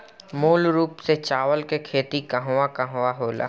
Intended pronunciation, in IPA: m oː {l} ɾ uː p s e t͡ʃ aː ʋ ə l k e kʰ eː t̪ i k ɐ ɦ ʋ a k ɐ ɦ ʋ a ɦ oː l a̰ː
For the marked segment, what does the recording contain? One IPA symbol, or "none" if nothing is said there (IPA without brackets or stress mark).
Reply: l